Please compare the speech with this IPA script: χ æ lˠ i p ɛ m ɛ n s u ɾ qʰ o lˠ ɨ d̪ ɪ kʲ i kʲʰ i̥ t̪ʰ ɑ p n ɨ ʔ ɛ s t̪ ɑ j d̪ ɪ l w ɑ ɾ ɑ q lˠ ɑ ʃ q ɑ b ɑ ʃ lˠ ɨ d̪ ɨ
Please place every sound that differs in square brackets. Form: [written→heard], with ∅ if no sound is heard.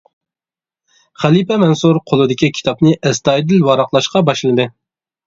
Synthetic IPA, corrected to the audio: χ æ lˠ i p ɛ m ɛ n s u ɾ qʰ o lˠ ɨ d̪ ɪ kʲ i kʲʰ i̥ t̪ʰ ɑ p n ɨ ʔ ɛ s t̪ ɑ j d̪ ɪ l w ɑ ɾ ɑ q lˠ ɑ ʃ q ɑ b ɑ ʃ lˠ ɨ d̪ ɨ